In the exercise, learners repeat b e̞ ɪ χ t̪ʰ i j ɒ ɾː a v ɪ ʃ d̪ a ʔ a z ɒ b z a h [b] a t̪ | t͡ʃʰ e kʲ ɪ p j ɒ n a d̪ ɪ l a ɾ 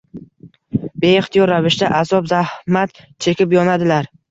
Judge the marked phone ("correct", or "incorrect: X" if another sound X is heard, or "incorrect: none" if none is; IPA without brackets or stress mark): incorrect: m